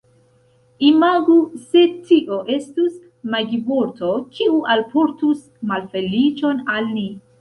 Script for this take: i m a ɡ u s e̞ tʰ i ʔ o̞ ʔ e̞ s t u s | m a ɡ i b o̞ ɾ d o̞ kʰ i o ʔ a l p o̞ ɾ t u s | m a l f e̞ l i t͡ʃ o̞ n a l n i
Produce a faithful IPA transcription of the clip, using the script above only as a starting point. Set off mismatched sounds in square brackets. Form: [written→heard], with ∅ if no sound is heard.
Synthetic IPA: i m a ɡ u s e̞ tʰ i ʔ o̞ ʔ e̞ s t u s | m a ɡ i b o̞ ɾ [d→t] o̞ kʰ i [o→u] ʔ a l p o̞ ɾ t u s | m a l f e̞ l i t͡ʃ o̞ n a l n i